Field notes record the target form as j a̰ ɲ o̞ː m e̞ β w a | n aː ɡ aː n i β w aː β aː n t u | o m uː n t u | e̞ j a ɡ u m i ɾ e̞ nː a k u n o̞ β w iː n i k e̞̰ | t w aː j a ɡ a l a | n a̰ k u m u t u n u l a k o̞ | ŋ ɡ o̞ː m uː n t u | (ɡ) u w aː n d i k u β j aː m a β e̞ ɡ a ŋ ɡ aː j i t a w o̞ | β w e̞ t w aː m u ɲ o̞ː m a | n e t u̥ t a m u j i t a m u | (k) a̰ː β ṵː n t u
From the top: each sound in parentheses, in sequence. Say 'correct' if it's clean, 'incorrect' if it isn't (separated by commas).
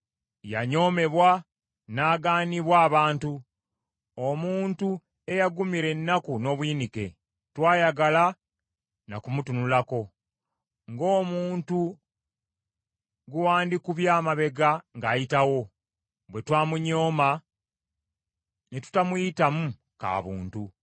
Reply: correct, correct